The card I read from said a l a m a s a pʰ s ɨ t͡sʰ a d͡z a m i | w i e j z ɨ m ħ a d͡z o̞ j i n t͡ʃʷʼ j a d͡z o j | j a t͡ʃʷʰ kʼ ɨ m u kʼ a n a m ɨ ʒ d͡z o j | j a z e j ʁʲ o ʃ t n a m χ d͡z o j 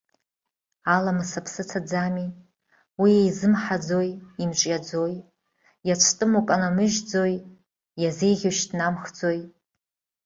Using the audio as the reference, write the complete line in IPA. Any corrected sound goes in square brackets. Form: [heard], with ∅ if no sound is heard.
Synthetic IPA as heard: a l a m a s a pʰ s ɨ t͡sʰ a d͡z a m i | w i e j z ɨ m ħ a d͡z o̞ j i [m] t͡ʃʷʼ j a d͡z o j | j a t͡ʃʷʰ [tʼ] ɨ m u kʼ a n a m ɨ ʒ d͡z o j | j a z e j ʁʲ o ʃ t n a m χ d͡z o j